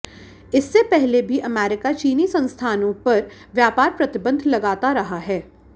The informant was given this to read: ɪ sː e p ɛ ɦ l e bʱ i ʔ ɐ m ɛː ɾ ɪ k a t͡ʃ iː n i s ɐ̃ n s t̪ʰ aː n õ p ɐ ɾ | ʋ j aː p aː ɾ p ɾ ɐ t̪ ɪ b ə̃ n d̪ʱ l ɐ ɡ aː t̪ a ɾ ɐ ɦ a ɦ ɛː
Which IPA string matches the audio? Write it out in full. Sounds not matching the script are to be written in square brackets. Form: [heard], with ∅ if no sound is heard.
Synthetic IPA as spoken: ɪ sː e p ɛ ɦ l e bʱ i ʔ ɐ m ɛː ɾ ɪ k a t͡ʃ iː n i s ɐ̃ n s t̪ʰ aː n õ p ɐ ɾ | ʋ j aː p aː ɾ p ɾ ɐ t̪ ɪ b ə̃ n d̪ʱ l ɐ ɡ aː t̪ a ɾ ɐ ɦ a ɦ ɛː